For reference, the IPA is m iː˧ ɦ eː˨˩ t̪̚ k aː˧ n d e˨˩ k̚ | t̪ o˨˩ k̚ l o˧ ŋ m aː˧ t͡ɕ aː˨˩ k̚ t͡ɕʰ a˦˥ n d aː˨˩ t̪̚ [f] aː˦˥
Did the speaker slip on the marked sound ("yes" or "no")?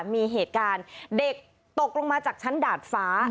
no